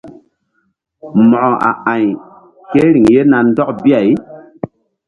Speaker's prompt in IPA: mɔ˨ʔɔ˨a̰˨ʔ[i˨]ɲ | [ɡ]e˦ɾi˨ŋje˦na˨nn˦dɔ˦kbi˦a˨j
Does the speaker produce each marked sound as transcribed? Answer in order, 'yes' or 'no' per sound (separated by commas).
no, no